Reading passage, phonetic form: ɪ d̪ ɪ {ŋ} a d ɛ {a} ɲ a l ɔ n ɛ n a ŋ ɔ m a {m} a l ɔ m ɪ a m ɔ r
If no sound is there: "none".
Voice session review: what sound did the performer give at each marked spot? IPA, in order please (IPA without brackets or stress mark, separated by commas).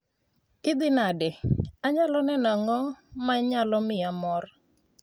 n, a, ɲ